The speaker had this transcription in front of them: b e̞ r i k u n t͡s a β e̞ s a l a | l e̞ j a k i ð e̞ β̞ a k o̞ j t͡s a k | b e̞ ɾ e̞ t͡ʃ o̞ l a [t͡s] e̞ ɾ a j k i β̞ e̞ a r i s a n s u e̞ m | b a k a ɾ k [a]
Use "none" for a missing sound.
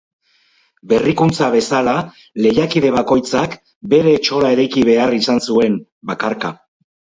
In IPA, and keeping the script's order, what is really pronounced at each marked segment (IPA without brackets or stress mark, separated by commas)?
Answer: none, a